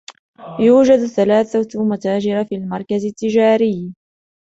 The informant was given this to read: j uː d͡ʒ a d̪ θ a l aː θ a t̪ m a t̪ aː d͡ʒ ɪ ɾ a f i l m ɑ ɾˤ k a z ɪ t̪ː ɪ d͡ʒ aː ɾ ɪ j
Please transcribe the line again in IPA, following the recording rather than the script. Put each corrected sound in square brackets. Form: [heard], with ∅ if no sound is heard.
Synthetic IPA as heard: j uː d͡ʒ a d̪ θ a l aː θ a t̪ m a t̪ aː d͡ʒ ɪ ɾ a f i l m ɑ ɾˤ k a z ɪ t̪ː ɪ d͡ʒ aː ɾ ɪ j